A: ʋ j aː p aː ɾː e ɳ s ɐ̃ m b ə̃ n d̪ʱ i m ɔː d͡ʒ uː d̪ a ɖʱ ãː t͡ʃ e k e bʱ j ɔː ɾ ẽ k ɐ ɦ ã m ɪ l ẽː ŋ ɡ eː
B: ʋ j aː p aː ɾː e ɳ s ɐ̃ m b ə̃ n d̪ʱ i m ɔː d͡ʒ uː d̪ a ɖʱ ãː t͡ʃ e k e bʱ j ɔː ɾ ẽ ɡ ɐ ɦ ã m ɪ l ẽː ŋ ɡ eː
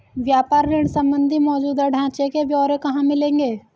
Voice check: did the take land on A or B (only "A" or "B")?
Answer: A